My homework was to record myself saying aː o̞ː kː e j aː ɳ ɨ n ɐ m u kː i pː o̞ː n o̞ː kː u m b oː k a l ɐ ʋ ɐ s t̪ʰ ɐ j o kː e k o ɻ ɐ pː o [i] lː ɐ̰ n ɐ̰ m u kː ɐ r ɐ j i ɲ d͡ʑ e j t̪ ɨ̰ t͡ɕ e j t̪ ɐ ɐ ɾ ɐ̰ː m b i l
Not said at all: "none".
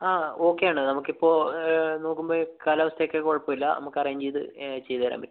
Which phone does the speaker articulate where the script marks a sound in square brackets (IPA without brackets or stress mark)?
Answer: i